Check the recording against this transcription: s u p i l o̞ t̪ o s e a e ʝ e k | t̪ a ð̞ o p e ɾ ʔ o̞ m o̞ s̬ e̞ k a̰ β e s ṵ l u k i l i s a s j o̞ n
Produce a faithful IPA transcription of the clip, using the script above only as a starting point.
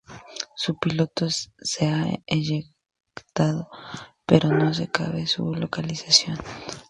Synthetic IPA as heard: s u p i l o̞ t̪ o s e a e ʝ e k | t̪ a ð̞ o p e ɾ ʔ o̞ n o̞ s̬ e̞ k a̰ β e s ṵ l o k a l i s a s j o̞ n